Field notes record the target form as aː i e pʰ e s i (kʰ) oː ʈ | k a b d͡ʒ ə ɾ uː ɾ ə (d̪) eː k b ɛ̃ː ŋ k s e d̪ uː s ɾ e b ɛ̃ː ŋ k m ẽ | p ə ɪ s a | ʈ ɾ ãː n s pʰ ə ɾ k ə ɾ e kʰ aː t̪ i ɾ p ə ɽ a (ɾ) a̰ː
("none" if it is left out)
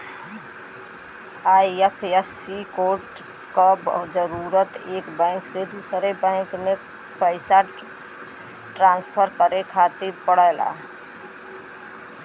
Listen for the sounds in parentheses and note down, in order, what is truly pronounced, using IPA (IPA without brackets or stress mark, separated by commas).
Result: k, t̪, l